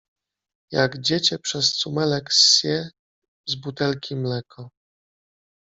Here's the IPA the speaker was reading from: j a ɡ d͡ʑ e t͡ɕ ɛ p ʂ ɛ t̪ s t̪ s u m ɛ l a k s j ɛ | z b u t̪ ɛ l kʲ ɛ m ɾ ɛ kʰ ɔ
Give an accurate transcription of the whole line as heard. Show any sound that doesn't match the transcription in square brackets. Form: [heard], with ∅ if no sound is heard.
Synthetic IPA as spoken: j a ɡ d͡ʑ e t͡ɕ ɛ p ʂ ɛ [∅] s t̪ s u m ɛ l [ɛ] k s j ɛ | z b u t̪ ɛ l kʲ [i] m [l] ɛ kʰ ɔ